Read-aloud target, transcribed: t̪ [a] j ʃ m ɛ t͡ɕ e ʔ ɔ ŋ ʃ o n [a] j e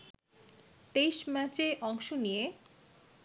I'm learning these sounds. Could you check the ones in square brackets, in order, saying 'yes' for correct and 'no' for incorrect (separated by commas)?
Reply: no, no